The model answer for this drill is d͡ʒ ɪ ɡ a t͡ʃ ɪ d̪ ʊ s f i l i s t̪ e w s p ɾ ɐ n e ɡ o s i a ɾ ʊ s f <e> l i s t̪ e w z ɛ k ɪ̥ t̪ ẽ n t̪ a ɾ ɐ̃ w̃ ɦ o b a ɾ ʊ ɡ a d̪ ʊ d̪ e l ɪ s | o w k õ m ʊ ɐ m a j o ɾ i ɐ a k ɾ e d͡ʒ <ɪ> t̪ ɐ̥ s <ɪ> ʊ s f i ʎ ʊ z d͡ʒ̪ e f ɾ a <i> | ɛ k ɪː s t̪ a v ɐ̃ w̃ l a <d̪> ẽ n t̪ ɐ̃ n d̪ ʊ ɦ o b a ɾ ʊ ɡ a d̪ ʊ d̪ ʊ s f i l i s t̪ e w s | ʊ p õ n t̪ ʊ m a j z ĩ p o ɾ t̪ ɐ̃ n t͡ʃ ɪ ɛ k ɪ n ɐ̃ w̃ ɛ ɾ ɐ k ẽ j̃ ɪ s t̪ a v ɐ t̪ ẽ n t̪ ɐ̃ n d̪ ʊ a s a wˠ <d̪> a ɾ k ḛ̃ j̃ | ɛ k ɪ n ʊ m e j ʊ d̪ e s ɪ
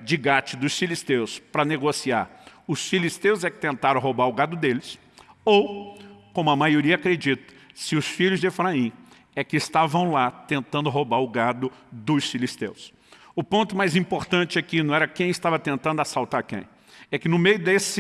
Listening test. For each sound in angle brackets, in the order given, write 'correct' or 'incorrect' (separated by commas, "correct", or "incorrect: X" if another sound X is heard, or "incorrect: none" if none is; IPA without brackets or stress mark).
incorrect: i, incorrect: i, correct, incorrect: ĩ, incorrect: t̪, incorrect: t̪